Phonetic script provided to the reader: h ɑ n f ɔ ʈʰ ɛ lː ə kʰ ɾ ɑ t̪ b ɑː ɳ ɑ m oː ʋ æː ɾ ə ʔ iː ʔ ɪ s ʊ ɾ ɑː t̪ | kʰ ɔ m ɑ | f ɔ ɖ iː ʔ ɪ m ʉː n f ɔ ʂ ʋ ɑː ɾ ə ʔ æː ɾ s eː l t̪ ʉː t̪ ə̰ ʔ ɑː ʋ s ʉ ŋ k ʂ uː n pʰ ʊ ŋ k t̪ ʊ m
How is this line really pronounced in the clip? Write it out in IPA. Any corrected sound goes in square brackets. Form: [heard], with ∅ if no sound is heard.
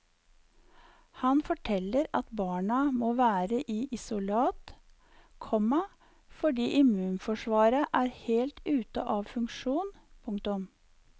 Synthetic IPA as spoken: h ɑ n f ɔ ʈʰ ɛ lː ə [∅] ɾ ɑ t̪ b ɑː ɳ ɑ m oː ʋ æː ɾ ə ʔ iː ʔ ɪ s ʊ [l] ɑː t̪ | kʰ ɔ m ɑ | f ɔ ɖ iː ʔ ɪ m ʉː n f ɔ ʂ ʋ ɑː ɾ ə ʔ æː ɾ [h] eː l t̪ ʉː t̪ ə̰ ʔ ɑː ʋ [f] ʉ ŋ k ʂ uː n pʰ ʊ ŋ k t̪ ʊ m